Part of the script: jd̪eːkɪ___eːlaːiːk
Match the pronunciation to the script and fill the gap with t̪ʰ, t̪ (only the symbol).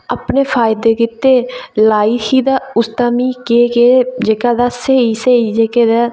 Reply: t̪